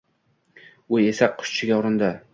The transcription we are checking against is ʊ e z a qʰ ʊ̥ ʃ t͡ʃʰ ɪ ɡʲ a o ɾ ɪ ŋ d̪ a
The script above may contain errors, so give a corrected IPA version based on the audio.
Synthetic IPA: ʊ e s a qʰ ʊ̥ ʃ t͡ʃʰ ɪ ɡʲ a ɒ ɾ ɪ n d̪ a

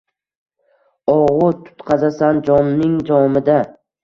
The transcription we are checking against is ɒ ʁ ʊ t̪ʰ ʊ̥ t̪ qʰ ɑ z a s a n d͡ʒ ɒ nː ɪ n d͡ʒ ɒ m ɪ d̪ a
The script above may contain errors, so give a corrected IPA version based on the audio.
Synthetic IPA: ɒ ʁ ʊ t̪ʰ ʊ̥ t̪ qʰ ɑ z a s a n d͡ʒ ɒ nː ɪ ŋ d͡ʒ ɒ m ɪ d̪ a

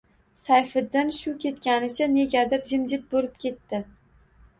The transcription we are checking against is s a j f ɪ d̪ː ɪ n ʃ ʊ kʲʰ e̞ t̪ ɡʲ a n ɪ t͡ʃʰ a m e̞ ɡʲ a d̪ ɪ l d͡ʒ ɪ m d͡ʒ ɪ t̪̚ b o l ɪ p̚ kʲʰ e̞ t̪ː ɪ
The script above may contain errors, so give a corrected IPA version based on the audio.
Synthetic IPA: s a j f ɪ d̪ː ɪ n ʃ ʊ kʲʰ e̞ t̪ kʲ a n ɪ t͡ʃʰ a n e̞ ɡʲ a d̪ ɪ ɾ d͡ʒ ɪ m d͡ʒ ɪ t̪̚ b o l ɪ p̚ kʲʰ e̞ t̪ː ɪ

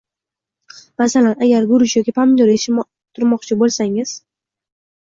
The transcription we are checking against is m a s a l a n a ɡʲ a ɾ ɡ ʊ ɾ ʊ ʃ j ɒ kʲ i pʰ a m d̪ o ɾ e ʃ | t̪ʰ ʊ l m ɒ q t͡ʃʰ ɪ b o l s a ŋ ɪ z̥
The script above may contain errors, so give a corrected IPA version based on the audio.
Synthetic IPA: m a s a l a n a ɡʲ a ɾ ɡ ʊ ɾ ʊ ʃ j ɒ kʲ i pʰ a m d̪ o ɾ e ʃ | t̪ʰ ʊ ɾ m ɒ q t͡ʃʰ ɪ b o l s a ŋ ɪ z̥

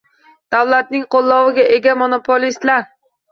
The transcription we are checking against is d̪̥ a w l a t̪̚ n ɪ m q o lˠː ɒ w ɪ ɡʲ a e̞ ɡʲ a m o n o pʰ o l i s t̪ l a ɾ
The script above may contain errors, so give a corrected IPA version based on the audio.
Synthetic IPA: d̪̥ a w l a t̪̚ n ɪ ŋ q o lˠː ɒ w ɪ ɡʲ a e̞ ɡʲ a m o n o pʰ o l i s t̪ l a ɾ

